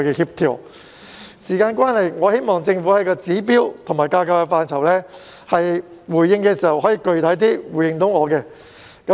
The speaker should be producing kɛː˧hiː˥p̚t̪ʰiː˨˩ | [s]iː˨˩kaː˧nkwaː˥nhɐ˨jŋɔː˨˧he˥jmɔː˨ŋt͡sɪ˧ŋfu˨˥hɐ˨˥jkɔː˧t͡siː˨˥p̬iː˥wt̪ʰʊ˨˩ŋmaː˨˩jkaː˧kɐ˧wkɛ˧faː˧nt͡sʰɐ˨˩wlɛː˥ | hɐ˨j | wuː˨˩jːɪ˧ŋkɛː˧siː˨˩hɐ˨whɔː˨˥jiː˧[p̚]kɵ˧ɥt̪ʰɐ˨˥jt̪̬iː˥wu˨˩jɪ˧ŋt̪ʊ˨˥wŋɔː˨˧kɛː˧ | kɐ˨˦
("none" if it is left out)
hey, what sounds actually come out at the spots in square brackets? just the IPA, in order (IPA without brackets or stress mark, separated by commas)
s, none